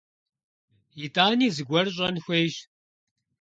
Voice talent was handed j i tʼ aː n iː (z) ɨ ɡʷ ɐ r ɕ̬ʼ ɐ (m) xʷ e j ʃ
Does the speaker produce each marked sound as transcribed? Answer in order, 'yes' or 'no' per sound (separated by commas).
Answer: yes, no